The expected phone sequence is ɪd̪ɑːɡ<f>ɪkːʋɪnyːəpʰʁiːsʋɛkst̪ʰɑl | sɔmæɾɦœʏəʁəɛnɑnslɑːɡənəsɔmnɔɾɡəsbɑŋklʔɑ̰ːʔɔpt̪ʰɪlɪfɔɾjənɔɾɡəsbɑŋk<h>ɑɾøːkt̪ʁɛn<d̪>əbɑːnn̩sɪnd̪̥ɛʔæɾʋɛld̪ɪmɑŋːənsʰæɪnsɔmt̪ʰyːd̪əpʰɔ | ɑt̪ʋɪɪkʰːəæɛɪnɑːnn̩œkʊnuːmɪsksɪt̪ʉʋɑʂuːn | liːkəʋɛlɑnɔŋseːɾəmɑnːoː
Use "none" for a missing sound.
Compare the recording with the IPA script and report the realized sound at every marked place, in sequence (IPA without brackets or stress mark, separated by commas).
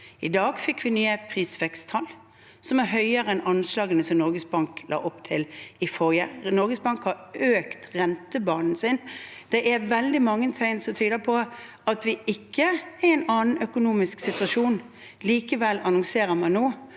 f, h, t̪